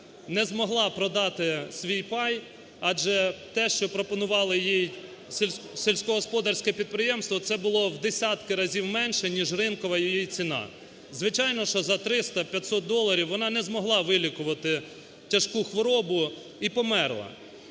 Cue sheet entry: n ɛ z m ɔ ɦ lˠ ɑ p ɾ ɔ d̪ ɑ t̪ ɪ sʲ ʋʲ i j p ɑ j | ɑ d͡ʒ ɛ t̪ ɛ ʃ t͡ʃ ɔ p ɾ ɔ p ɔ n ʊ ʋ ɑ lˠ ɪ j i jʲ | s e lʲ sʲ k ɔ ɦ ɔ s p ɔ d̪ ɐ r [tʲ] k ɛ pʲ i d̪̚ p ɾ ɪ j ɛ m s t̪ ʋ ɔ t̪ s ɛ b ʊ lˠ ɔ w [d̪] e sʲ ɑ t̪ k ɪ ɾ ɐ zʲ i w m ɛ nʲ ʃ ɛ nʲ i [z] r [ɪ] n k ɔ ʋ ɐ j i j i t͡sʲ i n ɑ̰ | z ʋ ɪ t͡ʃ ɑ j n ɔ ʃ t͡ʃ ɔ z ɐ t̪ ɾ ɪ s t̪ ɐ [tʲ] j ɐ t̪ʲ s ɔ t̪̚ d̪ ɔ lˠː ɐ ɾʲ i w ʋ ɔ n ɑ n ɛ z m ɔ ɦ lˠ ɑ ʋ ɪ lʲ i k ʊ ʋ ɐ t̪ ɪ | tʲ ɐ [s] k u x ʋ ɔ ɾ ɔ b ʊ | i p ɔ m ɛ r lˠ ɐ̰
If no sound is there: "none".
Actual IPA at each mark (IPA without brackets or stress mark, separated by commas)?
sʲ, d̪, ʒ, ɪ, pʲ, ʃ